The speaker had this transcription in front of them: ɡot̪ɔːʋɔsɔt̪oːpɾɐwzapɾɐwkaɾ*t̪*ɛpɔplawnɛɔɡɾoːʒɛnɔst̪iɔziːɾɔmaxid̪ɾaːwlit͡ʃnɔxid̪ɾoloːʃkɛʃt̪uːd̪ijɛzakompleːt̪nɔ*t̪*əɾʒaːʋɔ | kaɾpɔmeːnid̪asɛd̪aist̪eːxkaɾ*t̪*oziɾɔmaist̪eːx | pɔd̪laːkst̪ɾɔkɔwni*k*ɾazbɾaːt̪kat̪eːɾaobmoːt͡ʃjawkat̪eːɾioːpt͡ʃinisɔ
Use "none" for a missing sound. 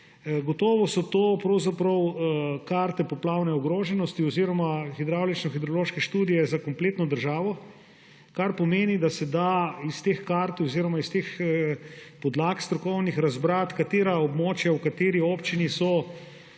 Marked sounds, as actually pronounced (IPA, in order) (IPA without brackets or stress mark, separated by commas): t̪, d̪, t̪, x